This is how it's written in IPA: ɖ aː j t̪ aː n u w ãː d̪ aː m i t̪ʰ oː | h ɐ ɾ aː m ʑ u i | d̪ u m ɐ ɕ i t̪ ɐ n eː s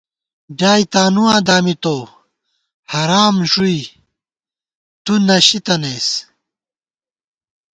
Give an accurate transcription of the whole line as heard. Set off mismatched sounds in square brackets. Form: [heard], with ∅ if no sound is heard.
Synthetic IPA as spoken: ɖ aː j t̪ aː n u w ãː d̪ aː m i [t̪] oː | h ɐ ɾ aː m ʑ u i | [t̪] u [n] ɐ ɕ i t̪ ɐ n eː s

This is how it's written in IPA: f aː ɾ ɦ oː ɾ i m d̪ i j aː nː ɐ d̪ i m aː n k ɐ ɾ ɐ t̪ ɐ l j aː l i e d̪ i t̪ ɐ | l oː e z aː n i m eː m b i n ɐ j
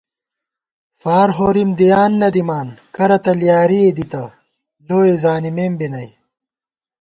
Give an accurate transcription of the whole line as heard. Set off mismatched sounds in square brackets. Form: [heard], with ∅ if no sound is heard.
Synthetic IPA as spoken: f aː ɾ ɦ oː ɾ i m d̪ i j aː nː ɐ d̪ i m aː n k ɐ ɾ ɐ t̪ ɐ l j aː [ɾ] i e d̪ i t̪ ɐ | l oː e z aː n i m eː m b i n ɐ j

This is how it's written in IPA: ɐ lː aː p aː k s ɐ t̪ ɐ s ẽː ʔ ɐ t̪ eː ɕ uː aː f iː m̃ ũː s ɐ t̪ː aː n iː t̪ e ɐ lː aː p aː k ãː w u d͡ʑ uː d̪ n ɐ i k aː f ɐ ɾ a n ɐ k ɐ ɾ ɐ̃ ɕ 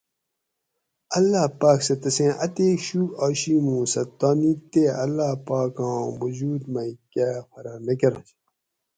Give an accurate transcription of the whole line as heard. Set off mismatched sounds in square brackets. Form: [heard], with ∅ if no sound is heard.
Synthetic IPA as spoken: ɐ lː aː p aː k s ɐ t̪ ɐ s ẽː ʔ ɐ t̪ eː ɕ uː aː [ɕ] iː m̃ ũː s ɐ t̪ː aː n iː t̪ e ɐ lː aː p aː k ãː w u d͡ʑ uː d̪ [m] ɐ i k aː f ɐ ɾ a n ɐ k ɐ ɾ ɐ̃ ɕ

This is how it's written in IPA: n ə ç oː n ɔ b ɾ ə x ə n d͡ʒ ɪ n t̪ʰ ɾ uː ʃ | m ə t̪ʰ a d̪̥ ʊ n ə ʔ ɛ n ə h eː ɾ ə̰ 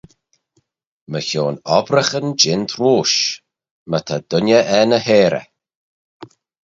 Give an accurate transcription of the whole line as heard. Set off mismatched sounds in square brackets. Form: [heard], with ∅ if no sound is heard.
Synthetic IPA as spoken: [m] ə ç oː n ɔ b ɾ ə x ə n d͡ʒ ɪ n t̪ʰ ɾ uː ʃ | m ə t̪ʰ a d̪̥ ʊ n ə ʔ ɛ n ə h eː ɾ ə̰

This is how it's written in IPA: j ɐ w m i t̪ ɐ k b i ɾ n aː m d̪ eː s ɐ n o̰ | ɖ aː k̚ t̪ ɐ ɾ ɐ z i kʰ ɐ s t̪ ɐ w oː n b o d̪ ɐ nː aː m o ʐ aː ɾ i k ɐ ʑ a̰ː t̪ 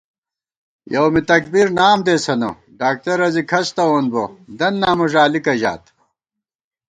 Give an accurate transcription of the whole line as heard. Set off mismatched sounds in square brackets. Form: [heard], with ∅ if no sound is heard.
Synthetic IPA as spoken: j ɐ w m i t̪ ɐ k b i ɾ n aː m d̪ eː s ɐ n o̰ | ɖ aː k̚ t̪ ɐ ɾ ɐ z i kʰ ɐ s t̪ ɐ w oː n b o d̪ ɐ nː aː m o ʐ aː [l] i k ɐ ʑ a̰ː t̪

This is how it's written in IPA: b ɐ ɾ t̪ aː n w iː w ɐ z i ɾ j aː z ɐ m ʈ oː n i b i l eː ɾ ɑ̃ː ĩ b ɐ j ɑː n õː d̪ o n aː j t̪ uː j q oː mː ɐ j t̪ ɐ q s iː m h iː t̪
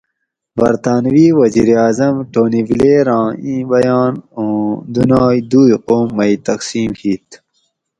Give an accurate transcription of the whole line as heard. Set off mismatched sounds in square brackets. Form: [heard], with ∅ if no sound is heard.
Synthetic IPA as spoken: b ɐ ɾ t̪ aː n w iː w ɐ z i ɾ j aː z ɐ m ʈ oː n i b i l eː ɾ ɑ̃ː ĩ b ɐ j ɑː n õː d̪ [u] n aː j [d̪] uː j q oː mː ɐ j t̪ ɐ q s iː m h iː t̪

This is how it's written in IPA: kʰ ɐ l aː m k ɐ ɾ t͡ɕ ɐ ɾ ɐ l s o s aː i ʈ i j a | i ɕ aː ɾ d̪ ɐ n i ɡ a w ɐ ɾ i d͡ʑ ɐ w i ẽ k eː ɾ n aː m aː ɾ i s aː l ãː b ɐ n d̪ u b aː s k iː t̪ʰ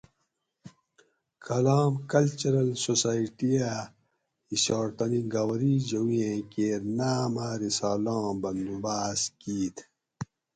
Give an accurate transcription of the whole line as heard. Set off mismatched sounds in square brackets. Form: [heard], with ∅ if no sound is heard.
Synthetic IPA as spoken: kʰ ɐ l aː m k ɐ [l] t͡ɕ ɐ ɾ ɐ l s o s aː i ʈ i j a | i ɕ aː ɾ [t̪] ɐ n i ɡ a w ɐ ɾ i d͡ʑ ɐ w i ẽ k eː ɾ n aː m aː ɾ i s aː l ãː b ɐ n d̪ u b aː s k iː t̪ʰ

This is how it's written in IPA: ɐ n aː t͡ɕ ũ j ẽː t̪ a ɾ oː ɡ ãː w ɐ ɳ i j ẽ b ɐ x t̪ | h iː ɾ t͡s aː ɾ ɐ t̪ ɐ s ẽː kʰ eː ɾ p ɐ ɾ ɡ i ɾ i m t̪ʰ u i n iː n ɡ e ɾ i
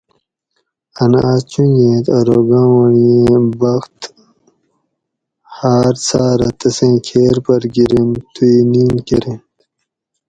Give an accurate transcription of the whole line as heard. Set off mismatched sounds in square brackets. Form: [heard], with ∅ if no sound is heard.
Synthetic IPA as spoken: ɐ n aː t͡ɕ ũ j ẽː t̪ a ɾ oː ɡ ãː w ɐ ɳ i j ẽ b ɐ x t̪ | h [aː] ɾ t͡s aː ɾ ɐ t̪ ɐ s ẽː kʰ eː ɾ p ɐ ɾ ɡ i ɾ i m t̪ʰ u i n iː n [k] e ɾ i

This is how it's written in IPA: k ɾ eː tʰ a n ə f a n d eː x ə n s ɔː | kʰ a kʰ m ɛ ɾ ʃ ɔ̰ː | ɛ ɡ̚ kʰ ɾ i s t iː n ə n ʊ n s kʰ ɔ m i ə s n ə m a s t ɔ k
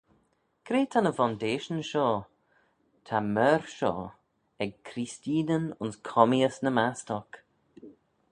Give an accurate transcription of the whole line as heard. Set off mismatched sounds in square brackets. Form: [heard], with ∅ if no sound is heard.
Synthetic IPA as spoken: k ɾ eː tʰ a n ə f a n d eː [ʃ] ə n [ʃ] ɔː | [tʰ] a [∅] m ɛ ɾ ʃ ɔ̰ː | ɛ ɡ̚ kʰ ɾ i s t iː n ə n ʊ n s kʰ ɔ m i ə s n ə m a s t ɔ k

